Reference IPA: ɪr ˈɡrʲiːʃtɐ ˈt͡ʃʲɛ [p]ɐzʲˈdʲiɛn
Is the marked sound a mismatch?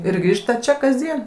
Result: yes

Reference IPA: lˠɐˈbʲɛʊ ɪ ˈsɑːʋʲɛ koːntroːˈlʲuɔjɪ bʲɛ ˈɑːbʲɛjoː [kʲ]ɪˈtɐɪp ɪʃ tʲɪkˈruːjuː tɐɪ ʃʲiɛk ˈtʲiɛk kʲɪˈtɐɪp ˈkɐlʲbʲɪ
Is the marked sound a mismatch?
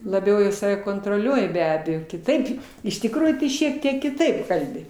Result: no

